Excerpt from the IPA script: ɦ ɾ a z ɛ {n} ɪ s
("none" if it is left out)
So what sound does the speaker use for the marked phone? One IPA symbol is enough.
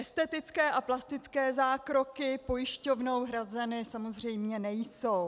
n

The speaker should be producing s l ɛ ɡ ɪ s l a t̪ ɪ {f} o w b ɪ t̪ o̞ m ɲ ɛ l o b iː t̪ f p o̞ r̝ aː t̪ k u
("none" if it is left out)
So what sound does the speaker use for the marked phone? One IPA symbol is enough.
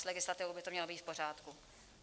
v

